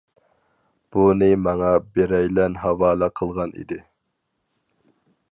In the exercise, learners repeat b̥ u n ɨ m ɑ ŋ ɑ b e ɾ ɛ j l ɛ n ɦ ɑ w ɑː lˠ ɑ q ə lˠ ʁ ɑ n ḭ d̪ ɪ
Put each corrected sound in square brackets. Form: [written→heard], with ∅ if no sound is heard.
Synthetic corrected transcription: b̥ u n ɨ m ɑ ŋ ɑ b e ɾ ɛ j l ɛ n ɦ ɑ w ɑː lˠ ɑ [q→qʰ] ə lˠ ʁ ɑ n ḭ d̪ ɪ